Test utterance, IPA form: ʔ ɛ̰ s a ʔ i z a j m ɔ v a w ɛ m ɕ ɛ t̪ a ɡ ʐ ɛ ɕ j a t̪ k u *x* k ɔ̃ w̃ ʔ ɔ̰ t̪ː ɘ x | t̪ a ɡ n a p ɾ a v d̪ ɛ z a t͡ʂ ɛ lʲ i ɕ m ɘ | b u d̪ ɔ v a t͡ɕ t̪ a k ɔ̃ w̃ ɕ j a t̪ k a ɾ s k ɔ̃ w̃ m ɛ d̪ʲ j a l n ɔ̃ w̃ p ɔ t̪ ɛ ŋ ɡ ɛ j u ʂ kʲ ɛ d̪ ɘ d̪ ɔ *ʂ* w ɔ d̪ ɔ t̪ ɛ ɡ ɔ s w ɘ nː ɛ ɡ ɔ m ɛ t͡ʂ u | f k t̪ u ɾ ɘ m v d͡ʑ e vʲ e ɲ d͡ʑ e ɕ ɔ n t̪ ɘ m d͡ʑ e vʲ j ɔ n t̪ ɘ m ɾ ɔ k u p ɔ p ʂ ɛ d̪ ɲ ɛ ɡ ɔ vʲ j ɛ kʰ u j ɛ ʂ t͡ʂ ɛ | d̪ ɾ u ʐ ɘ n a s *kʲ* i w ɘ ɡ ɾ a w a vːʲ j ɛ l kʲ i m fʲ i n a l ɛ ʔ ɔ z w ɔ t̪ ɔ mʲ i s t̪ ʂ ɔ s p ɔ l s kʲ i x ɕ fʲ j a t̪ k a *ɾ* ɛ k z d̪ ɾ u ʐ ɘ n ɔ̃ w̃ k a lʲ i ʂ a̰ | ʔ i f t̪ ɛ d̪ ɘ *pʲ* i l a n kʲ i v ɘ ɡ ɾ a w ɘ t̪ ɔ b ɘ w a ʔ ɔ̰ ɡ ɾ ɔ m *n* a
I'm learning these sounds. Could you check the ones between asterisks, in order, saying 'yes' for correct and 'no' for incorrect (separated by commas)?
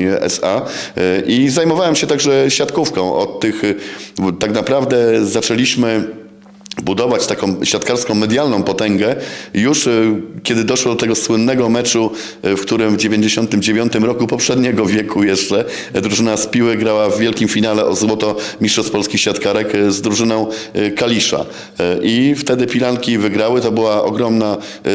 no, yes, no, yes, yes, yes